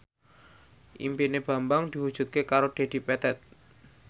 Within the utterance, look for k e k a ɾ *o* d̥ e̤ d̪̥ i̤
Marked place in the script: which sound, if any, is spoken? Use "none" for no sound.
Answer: o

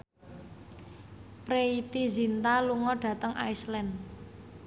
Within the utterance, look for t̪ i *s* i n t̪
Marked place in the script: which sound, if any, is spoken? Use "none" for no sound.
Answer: z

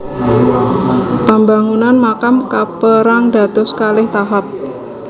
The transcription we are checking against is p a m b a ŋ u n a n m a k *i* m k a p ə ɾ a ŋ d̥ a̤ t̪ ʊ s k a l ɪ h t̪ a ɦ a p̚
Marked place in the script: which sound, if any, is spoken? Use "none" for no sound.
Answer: a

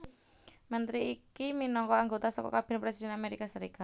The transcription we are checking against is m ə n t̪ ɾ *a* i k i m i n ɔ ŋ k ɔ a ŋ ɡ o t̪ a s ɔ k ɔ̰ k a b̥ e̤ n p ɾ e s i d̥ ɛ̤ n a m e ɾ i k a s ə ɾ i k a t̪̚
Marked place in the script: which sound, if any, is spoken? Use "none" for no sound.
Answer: i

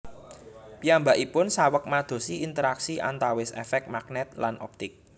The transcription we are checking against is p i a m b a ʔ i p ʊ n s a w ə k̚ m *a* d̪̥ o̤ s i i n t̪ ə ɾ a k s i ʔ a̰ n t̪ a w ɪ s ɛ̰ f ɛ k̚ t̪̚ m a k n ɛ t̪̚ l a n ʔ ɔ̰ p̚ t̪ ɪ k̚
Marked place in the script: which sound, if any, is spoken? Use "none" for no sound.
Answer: a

